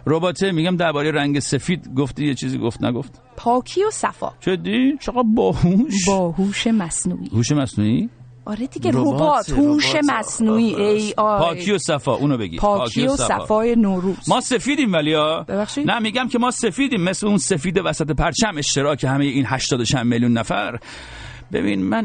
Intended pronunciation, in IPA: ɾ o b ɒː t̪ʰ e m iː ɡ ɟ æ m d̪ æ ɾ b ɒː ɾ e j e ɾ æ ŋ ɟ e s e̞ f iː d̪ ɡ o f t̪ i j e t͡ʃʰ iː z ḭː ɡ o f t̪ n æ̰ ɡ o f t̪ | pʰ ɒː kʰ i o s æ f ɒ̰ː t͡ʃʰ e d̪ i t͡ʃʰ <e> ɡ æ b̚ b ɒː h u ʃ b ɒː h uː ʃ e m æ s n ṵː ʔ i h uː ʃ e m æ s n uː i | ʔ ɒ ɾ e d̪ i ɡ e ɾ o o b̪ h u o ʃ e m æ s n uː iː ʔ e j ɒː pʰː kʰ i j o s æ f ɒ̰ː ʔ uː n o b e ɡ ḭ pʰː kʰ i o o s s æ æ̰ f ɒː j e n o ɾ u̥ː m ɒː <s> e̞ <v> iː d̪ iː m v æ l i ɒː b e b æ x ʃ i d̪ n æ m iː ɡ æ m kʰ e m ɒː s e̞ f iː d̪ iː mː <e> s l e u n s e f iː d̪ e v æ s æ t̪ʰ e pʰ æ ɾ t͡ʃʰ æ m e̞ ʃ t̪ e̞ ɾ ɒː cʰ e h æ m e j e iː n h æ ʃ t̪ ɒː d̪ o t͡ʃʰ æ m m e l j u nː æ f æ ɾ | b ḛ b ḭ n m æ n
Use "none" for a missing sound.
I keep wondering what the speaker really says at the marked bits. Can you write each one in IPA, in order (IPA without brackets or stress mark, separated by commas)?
e, s, f, e